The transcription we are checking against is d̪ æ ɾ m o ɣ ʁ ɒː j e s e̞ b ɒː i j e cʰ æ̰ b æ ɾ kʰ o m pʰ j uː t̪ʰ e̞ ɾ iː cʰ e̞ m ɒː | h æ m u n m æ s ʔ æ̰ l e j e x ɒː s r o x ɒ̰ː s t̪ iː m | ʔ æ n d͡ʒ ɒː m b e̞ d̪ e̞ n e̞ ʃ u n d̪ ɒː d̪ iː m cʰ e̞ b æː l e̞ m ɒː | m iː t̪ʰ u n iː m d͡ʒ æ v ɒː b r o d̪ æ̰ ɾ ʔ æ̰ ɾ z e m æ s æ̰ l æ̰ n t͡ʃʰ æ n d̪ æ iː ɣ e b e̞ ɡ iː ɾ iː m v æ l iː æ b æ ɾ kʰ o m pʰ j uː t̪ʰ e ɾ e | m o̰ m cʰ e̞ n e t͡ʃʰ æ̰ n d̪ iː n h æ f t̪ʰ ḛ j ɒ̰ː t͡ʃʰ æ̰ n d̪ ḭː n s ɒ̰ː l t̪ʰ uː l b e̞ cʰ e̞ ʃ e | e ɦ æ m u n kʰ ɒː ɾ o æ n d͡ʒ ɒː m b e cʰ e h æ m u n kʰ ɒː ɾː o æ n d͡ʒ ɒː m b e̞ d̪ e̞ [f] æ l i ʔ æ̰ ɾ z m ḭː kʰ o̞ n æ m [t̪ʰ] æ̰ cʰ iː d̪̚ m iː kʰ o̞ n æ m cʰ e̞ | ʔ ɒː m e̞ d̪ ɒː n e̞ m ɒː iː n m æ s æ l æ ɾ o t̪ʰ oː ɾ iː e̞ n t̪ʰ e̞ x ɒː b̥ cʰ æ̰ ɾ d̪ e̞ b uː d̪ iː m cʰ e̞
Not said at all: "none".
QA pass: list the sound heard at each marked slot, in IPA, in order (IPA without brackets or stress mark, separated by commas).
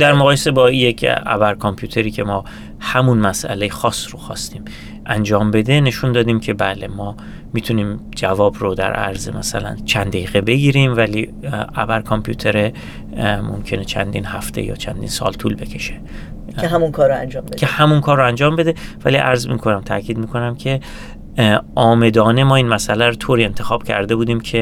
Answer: v, t̪ʰ